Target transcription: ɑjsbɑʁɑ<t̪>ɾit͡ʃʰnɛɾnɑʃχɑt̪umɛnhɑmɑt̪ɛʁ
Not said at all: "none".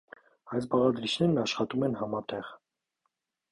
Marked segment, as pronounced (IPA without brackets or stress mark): d̪